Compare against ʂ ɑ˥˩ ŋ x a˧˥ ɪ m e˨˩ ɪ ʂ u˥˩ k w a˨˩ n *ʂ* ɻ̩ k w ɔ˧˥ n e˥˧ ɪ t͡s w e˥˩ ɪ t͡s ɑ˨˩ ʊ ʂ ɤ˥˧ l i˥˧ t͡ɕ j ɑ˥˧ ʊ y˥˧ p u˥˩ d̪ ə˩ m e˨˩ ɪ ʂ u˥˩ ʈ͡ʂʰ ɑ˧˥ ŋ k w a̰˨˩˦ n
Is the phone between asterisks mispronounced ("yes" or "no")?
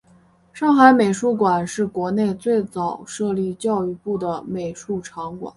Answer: no